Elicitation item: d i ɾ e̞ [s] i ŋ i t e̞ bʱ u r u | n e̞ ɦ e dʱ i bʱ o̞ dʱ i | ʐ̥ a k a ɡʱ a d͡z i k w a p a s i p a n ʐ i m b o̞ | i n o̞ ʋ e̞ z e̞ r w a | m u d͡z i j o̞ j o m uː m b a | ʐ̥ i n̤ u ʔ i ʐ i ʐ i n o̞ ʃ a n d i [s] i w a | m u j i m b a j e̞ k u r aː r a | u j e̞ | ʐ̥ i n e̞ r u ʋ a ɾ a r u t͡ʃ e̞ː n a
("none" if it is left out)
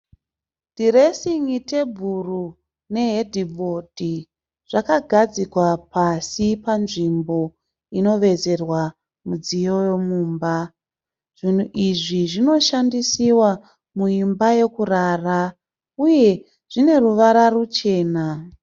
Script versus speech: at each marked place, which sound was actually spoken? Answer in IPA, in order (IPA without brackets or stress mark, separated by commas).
s, s